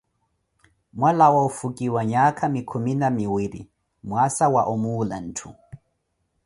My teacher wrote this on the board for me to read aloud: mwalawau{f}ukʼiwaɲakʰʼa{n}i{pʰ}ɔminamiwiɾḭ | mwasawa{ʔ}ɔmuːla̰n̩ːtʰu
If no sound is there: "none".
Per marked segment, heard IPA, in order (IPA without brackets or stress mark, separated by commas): f, m, kʰ, ʔ